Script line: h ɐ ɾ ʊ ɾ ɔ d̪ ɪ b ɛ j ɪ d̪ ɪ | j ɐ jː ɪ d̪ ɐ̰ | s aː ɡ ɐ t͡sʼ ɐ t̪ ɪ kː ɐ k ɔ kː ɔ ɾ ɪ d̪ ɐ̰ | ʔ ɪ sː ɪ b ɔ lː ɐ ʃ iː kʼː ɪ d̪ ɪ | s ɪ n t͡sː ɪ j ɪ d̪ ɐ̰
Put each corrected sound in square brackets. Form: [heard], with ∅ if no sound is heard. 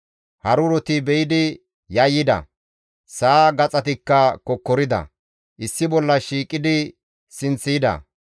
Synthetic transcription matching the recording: h ɐ ɾ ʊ ɾ ɔ [t̪] ɪ b ɛ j ɪ d̪ ɪ | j ɐ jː ɪ d̪ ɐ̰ | s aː ɡ ɐ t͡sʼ ɐ t̪ ɪ kː ɐ k ɔ kː ɔ ɾ ɪ d̪ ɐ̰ | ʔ ɪ sː ɪ b ɔ lː ɐ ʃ iː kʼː ɪ d̪ ɪ | s ɪ n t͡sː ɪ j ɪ d̪ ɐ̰